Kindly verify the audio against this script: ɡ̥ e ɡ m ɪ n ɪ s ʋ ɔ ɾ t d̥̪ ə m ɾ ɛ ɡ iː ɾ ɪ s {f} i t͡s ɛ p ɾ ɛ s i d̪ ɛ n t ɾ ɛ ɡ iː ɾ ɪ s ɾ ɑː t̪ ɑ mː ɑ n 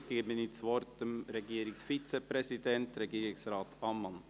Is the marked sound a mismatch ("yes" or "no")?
no